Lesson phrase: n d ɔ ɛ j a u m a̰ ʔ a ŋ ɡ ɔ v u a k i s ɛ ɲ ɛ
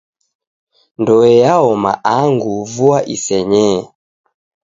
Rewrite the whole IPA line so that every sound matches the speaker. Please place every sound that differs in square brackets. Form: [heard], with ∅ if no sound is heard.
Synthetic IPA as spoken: n d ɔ ɛ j a [ɔ] m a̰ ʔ a ŋ ɡ [u] v u a [ʔ] i s ɛ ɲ ɛ